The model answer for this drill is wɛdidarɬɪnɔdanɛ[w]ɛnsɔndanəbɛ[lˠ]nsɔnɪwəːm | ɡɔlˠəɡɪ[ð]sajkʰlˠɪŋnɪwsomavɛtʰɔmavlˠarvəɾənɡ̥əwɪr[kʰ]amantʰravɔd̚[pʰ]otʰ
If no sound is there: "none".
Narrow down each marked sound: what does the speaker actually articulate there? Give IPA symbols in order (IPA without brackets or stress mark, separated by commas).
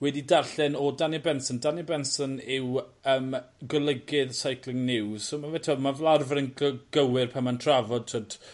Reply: b, none, ð, pʰ, tʰ